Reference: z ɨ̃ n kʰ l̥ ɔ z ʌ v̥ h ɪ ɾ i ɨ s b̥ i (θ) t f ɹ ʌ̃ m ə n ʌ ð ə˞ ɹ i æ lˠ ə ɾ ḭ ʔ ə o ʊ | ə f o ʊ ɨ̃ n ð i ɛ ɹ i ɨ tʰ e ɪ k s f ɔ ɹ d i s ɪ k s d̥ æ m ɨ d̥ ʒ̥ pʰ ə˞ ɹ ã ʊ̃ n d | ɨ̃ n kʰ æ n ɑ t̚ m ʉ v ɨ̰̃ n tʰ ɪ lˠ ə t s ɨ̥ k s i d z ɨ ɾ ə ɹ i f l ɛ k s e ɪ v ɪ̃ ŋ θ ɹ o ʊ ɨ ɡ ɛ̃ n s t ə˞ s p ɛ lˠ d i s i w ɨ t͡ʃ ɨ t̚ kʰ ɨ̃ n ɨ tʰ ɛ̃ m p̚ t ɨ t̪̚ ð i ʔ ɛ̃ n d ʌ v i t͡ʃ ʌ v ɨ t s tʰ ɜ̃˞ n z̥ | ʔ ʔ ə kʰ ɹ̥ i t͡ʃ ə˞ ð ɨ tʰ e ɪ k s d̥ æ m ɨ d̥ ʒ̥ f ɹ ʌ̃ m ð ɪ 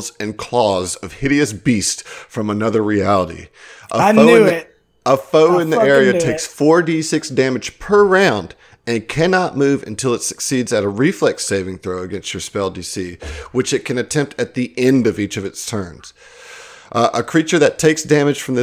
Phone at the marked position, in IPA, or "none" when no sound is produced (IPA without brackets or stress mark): s